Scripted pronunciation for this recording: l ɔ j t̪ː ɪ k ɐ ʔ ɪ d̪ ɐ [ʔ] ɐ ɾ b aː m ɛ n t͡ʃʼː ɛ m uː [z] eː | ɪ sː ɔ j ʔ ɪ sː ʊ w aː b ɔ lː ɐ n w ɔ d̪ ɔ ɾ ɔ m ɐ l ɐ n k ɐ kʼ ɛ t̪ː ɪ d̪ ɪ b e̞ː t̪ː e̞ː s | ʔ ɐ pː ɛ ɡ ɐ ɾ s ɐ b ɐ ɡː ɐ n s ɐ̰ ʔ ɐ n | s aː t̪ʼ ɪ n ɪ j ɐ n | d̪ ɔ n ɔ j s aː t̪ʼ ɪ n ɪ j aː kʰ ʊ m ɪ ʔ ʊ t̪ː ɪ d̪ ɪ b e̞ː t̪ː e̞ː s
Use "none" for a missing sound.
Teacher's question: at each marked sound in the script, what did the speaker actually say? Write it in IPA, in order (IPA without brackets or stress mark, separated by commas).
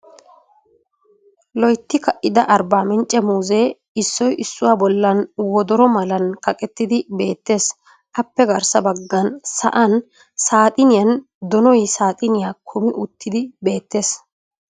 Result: ʔ, z